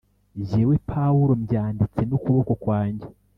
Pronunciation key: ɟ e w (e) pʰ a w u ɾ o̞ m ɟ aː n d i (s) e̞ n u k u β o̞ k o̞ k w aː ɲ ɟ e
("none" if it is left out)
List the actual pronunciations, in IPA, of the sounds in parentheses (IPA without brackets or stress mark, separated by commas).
e, t͡s